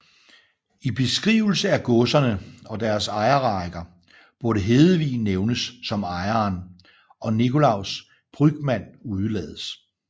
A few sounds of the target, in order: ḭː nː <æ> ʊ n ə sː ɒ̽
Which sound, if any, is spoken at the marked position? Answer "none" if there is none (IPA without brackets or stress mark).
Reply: e